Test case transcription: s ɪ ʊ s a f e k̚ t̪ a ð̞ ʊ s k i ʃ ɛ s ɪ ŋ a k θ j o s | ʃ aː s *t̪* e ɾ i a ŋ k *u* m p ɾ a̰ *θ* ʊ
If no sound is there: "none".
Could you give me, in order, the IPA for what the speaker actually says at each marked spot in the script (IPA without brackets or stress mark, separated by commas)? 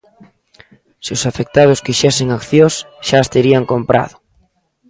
t̪, o, ð